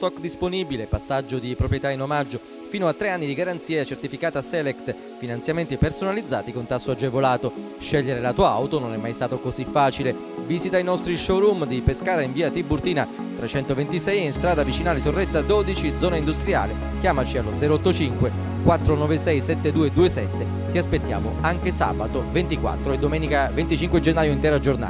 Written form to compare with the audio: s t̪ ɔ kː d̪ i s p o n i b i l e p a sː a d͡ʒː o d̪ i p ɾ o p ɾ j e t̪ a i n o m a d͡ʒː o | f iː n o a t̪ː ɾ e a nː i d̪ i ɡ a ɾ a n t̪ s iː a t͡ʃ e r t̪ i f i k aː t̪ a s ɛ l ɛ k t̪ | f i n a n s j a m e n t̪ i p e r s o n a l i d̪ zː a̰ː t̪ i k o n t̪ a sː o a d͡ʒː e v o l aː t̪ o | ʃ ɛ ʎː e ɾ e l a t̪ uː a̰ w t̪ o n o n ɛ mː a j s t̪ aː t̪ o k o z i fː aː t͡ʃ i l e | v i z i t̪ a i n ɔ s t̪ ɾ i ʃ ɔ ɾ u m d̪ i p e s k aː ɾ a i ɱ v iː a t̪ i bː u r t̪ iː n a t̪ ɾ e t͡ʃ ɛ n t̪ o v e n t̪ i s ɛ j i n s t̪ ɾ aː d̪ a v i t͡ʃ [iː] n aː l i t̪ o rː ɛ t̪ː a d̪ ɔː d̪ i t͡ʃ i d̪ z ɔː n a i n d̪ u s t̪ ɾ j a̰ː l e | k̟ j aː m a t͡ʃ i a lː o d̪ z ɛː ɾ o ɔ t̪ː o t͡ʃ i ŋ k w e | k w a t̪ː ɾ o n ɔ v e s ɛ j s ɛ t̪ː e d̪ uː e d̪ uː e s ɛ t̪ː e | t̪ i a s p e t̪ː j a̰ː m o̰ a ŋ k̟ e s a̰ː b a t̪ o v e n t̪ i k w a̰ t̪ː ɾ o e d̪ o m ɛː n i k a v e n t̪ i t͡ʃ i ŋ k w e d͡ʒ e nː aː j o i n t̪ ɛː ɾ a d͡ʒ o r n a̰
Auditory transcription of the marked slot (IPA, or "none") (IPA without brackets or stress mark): i